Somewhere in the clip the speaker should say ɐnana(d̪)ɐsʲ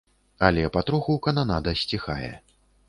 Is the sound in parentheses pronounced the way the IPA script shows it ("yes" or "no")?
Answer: yes